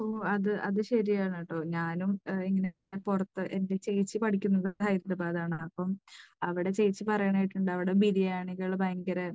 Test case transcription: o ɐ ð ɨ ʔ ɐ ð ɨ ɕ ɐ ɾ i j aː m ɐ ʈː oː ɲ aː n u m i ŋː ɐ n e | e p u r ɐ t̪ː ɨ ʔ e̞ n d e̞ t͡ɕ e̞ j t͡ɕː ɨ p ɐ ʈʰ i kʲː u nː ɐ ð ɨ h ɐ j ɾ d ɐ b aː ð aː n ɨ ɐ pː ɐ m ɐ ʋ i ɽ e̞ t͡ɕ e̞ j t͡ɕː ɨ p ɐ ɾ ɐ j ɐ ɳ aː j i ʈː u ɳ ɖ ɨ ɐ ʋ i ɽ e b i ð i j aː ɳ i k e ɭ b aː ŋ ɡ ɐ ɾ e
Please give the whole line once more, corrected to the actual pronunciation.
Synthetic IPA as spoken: o ɐ ð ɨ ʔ ɐ ð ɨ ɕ ɐ ɾ i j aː ɳ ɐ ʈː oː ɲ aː n u m i ŋː ɐ n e | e p u r ɐ t̪ː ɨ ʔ e̞ n d e̞ t͡ɕ e̞ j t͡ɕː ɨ p ɐ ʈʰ i kʲː u nː ɐ ð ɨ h ɐ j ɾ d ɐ b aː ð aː ɳ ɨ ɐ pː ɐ m ɐ ʋ i ɽ e̞ t͡ɕ e̞ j t͡ɕː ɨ p ɐ r ɐ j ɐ ɳ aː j i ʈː u ɳ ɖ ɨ ɐ ʋ i ɽ e b i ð i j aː ɳ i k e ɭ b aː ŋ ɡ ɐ ɾ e